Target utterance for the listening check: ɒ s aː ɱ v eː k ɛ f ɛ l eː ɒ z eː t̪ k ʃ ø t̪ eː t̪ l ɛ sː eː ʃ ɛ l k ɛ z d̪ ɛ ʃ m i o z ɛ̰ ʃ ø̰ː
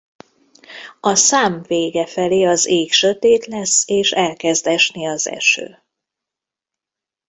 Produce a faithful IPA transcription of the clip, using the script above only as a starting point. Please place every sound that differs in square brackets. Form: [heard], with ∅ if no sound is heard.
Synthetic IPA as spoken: ɒ s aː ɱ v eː [ɡ] ɛ f ɛ l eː ɒ z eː [∅] k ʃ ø t̪ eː t̪ l ɛ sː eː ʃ ɛ l k ɛ z d̪ ɛ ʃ [n] i [ɒ] z ɛ̰ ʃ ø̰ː